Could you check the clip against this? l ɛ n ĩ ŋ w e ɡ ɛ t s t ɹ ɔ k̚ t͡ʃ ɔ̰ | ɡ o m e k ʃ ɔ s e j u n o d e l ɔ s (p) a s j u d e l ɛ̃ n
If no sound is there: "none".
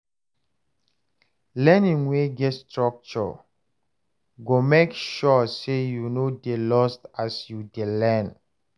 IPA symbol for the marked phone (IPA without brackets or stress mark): t